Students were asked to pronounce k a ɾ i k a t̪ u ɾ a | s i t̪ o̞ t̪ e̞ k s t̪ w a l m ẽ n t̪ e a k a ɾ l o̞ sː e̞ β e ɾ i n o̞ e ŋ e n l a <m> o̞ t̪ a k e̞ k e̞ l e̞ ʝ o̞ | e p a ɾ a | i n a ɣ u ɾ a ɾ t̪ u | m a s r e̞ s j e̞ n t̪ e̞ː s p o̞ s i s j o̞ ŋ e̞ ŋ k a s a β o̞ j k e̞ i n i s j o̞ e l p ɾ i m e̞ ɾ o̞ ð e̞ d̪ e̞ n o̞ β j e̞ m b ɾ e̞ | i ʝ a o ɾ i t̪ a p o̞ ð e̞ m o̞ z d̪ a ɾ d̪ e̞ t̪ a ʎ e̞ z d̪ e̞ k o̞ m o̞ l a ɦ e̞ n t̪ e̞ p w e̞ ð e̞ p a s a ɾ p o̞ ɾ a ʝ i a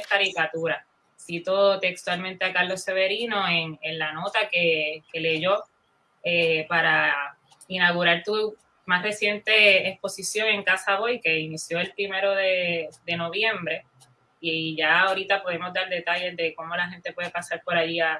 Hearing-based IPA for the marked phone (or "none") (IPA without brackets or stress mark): n